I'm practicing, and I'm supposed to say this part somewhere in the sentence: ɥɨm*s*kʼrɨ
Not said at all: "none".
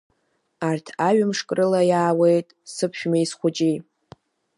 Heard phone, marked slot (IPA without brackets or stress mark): ʂ